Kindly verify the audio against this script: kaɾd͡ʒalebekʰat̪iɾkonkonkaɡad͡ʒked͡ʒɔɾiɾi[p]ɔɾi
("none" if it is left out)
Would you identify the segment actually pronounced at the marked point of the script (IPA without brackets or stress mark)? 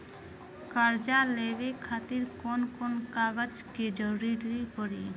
p